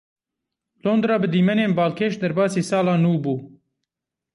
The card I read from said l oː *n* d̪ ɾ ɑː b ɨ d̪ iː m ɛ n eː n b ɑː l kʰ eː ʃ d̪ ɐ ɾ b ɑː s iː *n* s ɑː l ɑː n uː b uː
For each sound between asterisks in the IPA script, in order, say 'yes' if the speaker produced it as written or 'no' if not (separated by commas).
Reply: yes, no